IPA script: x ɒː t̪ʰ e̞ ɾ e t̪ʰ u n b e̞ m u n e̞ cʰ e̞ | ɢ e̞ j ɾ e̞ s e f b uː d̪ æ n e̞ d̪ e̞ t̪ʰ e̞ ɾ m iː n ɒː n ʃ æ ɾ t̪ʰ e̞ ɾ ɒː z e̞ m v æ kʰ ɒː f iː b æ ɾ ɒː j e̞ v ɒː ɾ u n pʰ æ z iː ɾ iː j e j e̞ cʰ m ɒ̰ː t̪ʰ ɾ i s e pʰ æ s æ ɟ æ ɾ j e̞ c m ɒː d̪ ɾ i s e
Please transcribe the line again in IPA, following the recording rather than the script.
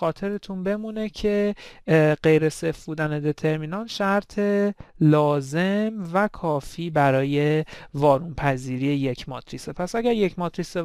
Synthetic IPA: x ɒː t̪ʰ e̞ ɾ e t̪ʰ u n b e̞ m u n e̞ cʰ e̞ | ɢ e̞ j ɾ e̞ s e f b uː d̪ æ n e̞ d̪ e̞ t̪ʰ e̞ ɾ m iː n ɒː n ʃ æ ɾ t̪ʰ e̞ l ɒː z e̞ m v æ kʰ ɒː f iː b æ ɾ ɒː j e̞ v ɒː ɾ u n pʰ æ z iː ɾ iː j e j e̞ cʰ m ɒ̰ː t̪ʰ ɾ i s e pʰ æ s æ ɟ æ ɾ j e̞ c m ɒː t̪ ɾ i s e